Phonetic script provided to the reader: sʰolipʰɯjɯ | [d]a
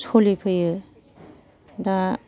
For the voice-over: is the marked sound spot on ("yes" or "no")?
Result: yes